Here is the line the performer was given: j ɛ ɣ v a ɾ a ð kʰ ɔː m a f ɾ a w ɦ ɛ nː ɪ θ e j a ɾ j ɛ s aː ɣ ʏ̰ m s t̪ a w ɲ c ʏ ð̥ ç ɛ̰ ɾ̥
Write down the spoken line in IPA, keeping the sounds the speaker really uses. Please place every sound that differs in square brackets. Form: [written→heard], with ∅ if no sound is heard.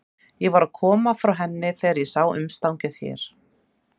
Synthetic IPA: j ɛ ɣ v a ɾ a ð kʰ ɔː m a f ɾ a w ɦ ɛ nː ɪ θ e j a ɾ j ɛ s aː [ɣ→w] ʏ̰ m s t̪ a w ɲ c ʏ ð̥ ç ɛ̰ ɾ̥